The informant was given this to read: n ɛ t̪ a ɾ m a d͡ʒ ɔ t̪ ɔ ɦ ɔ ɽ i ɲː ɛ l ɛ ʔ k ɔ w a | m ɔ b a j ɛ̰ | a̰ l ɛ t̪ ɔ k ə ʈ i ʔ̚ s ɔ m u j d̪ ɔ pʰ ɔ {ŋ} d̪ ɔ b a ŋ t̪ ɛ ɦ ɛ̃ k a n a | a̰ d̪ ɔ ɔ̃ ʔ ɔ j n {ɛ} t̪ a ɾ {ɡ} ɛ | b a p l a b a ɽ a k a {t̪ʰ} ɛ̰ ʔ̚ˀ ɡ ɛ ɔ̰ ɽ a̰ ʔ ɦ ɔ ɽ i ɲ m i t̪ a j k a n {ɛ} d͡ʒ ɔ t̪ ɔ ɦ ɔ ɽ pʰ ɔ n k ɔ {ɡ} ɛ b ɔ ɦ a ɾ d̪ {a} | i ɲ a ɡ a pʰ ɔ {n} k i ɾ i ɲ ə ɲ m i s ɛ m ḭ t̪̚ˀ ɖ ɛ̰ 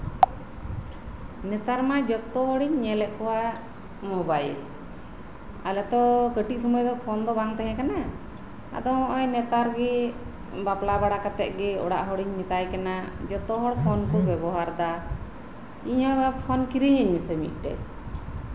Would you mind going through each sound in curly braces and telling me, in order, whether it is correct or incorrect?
incorrect: n, correct, correct, incorrect: t̪, incorrect: a, incorrect: b, correct, correct

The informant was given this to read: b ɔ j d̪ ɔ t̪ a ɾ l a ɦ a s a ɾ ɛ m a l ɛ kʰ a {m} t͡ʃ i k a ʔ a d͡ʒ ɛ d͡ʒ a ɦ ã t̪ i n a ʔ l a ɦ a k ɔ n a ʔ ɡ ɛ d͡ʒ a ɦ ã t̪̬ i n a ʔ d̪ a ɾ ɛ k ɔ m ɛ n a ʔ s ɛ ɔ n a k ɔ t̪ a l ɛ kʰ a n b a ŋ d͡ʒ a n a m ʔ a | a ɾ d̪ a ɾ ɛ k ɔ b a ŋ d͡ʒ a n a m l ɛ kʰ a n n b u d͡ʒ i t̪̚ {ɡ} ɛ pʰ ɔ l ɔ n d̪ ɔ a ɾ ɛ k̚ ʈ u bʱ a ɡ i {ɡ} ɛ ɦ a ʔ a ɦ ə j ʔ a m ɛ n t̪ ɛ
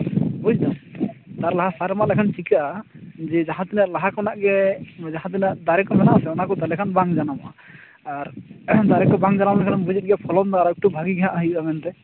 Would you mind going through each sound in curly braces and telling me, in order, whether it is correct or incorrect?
incorrect: n, correct, correct

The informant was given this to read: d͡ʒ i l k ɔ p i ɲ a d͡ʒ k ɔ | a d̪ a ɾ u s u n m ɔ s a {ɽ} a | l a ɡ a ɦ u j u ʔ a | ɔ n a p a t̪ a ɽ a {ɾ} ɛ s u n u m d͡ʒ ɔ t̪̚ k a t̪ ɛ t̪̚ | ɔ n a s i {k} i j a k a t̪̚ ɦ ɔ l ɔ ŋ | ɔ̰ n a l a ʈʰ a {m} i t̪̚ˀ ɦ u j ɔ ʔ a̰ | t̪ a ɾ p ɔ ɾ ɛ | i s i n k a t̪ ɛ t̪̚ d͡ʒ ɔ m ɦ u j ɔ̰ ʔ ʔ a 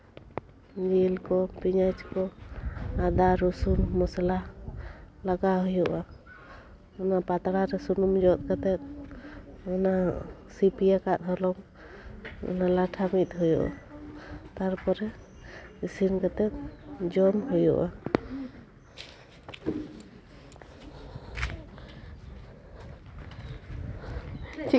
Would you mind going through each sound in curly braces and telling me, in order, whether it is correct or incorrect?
incorrect: l, correct, incorrect: p, correct

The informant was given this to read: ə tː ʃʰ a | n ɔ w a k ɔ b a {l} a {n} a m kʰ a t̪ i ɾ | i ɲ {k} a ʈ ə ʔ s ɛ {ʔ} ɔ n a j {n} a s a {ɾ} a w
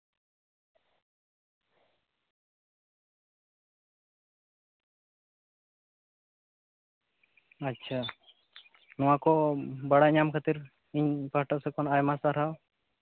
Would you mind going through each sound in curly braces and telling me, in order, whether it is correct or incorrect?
incorrect: ɽ, incorrect: ɲ, incorrect: p, incorrect: k, incorrect: m, correct

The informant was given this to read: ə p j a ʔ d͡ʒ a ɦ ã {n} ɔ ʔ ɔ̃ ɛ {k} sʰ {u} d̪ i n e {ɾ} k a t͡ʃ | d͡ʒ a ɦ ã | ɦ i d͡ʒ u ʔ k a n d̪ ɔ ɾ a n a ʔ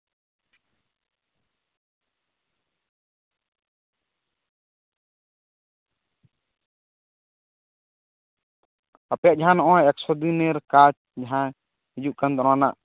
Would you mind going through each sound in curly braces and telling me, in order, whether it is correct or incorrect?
correct, correct, incorrect: ɔ, correct

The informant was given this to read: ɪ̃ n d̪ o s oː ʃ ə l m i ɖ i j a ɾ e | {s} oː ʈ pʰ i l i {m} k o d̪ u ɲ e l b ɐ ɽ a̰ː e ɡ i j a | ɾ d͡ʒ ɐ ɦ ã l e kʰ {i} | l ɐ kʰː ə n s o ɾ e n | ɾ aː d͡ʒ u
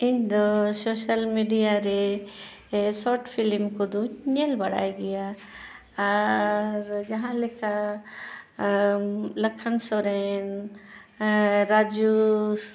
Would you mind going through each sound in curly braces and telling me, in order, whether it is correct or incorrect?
correct, correct, incorrect: a

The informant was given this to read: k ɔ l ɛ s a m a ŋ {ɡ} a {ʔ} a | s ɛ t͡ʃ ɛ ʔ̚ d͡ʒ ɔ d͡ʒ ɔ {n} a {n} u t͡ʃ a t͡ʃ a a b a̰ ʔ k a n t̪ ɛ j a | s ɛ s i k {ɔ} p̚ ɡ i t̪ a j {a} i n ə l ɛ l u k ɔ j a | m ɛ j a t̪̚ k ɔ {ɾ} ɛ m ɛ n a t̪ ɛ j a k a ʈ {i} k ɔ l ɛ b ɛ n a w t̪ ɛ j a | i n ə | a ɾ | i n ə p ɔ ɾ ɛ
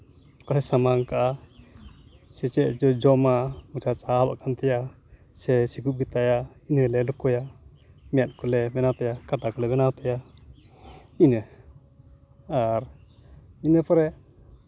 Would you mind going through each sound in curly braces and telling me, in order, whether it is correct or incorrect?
incorrect: k, correct, incorrect: m, incorrect: m, incorrect: u, correct, incorrect: l, incorrect: a

